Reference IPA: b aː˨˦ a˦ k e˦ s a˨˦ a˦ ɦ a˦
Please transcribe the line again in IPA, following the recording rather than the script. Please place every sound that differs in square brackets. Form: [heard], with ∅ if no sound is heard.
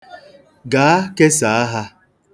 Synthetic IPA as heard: [ɡ] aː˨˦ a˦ k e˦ s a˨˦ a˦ ɦ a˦